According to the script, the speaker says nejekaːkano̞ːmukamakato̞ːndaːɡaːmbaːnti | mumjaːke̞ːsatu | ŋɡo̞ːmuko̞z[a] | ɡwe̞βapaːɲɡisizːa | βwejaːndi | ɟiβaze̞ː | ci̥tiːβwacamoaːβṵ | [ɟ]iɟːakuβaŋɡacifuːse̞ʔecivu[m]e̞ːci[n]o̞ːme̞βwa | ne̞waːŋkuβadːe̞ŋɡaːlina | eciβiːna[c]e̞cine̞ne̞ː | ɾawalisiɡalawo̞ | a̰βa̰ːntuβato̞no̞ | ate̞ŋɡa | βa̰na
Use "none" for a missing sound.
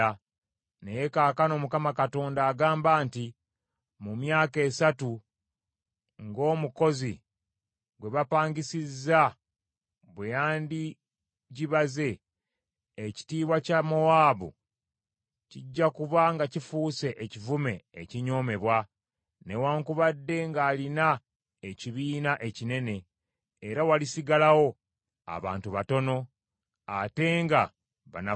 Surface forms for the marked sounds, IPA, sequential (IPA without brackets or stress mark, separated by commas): i, c, m, ɲ, ʔ